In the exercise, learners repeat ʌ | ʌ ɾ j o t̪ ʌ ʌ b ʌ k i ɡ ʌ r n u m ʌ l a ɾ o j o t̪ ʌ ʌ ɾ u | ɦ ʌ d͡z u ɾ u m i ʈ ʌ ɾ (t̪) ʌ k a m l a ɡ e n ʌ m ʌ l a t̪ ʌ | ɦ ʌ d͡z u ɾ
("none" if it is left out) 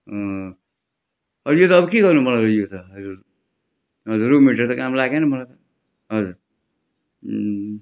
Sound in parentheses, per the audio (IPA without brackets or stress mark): t̪